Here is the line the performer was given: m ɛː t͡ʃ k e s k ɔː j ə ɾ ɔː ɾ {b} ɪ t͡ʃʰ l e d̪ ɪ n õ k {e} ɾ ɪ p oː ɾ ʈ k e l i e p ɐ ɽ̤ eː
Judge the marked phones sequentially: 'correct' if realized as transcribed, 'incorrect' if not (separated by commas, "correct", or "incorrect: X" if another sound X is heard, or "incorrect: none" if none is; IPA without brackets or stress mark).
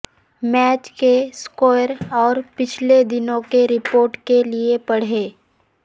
incorrect: p, correct